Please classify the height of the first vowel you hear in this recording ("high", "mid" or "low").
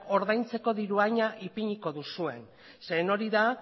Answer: mid